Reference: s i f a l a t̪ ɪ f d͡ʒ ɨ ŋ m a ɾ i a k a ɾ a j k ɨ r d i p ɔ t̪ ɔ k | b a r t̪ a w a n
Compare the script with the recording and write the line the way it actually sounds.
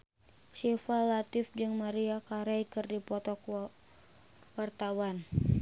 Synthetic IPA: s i f a l a t̪ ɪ f d͡ʒ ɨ ŋ m a ɾ i a k a ɾ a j k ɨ r d i p ɔ t̪ ɔ k | w a r t̪ a w a n

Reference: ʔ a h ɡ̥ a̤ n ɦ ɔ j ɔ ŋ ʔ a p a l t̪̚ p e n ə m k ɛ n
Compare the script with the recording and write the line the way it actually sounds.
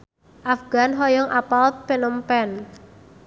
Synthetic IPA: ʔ a f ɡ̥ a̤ n ɦ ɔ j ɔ ŋ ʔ a p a l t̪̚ p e n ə m p ɛ n

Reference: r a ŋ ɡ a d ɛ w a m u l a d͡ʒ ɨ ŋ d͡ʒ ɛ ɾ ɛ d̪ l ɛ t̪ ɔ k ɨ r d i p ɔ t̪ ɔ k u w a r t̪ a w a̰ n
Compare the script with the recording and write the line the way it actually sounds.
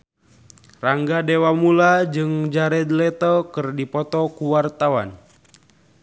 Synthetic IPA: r a ŋ ɡ a d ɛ w a m u l a d͡ʒ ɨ ŋ d͡ʒ a ɾ ɛ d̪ l ɛ t̪ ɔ k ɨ r d i p ɔ t̪ ɔ k u w a r t̪ a w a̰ n

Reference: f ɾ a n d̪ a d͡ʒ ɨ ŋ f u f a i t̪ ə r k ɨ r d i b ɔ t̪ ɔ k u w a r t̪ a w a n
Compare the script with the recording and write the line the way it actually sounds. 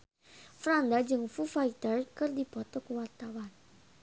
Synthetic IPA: f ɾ a n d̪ a d͡ʒ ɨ ŋ f u f a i t̪ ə r k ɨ r d i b ɔ t̪ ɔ k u w a r t̪ a w a n

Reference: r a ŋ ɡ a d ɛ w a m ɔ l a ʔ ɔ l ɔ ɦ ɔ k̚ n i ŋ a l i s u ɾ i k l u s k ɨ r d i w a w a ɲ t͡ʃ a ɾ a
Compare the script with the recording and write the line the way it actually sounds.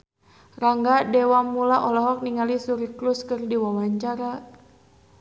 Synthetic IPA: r a ŋ ɡ a d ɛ w a m u l a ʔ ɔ l ɔ ɦ ɔ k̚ n i ŋ a l i s u ɾ i k l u s k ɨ r d i w a w a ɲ t͡ʃ a ɾ a

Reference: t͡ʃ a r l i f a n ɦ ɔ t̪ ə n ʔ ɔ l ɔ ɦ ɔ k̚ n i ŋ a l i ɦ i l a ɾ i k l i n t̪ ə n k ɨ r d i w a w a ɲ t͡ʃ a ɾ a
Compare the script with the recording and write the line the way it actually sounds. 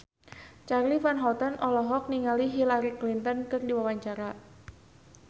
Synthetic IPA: t͡ʃ a r l i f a n ɦ ɔ t̪ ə n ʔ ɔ l ɔ ɦ ɔ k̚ n i ŋ a l i ɦ i l a ɾ i k l i n t̪ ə n k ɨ r d i w a w a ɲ t͡ʃ a ɾ a

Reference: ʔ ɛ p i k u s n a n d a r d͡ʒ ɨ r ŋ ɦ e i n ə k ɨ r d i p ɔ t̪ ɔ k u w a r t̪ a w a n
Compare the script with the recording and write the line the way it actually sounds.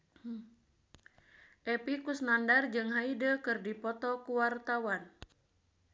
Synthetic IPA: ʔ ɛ p i k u s n a n d a r d͡ʒ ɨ ŋ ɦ a i d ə k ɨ r d i p ɔ t̪ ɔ k u w a r t̪ a w a n

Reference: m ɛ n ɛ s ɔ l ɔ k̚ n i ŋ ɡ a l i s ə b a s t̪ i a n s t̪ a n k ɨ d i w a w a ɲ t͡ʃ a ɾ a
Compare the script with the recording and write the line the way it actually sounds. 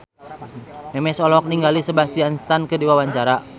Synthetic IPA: m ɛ m ɛ s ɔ l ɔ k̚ n i ŋ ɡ a l i s ə b a s t̪ i a n s t̪ a n k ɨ d i w a w a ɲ t͡ʃ a ɾ a

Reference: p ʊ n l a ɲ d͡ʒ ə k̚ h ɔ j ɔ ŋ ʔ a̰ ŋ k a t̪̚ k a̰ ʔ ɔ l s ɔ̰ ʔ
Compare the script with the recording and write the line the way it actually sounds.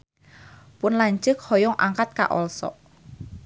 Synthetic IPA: p ʊ n l a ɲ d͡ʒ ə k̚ h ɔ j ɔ ŋ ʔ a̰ ŋ k a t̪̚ k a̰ ʔ ɔ l s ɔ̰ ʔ

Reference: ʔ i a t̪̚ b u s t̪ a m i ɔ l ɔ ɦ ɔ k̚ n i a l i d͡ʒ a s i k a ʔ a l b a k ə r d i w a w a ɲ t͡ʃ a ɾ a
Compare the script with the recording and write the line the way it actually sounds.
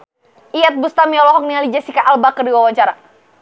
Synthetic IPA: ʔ i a t̪̚ b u s t̪ a m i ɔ l ɔ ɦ ɔ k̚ n i a l i d͡ʒ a s i k a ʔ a l b a k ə r d i w a w a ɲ t͡ʃ a ɾ a

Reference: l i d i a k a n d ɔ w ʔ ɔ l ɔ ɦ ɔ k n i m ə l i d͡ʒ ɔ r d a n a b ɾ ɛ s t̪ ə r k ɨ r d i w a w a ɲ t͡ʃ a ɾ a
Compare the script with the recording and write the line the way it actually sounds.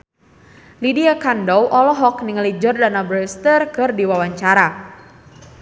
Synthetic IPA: l i d i a k a n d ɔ w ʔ ɔ l ɔ ɦ ɔ k n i ŋ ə l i d͡ʒ ɔ r d a n a b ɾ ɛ s t̪ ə r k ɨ r d i w a w a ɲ t͡ʃ a ɾ a

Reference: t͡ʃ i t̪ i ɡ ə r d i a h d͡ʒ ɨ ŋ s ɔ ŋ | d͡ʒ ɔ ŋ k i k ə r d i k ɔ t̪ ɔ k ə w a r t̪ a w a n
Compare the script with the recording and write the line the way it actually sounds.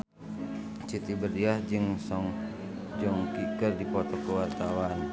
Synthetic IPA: t͡ʃ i t̪ i b ə r d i a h d͡ʒ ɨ ŋ s ɔ ŋ | d͡ʒ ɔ ŋ k i k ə r d i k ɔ t̪ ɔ k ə w a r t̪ a w a n

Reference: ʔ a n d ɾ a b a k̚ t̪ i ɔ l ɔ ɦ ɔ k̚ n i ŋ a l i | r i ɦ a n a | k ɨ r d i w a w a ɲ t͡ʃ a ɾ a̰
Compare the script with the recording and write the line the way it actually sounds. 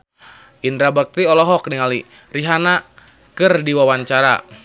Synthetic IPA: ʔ i n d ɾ a b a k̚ t̪ i ɔ l ɔ ɦ ɔ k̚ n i ŋ a l i | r i ɦ a n a | k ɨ r d i w a w a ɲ t͡ʃ a ɾ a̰

